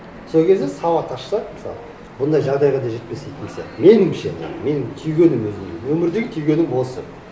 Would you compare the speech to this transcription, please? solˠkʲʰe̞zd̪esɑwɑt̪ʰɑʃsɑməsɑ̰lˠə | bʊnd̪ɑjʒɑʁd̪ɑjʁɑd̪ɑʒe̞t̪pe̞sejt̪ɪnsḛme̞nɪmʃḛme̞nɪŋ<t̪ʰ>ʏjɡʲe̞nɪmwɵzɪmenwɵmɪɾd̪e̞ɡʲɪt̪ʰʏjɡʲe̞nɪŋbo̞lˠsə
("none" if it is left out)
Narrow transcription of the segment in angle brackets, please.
t̪ʰ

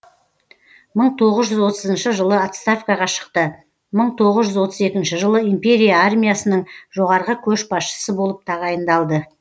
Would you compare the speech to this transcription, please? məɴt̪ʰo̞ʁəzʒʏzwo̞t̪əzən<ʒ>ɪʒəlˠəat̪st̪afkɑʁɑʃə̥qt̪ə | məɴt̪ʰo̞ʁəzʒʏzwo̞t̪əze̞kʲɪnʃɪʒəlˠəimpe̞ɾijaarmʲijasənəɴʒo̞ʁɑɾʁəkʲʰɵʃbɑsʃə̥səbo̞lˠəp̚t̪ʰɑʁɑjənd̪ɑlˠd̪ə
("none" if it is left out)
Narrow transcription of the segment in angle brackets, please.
ʃ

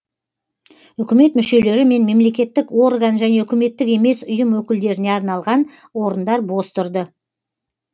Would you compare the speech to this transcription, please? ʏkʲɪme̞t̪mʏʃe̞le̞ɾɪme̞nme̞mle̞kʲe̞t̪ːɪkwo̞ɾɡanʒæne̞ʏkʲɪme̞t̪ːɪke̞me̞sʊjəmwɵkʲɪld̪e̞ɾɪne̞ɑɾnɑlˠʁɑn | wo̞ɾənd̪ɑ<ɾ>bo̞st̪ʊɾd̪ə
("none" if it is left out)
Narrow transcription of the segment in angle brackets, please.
ɾ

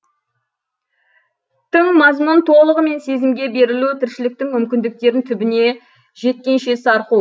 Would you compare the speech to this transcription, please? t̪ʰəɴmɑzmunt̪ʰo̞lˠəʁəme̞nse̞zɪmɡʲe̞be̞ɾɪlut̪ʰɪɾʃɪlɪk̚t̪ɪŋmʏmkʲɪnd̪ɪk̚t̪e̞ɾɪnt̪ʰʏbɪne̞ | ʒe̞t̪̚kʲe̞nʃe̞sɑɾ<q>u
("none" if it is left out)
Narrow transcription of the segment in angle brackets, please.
q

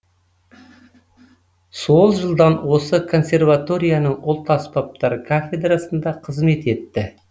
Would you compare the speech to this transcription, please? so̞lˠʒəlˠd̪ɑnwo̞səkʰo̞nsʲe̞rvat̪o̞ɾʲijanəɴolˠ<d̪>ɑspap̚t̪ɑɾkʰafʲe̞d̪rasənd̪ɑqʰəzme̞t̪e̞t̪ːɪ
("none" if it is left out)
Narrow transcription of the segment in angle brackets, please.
t̪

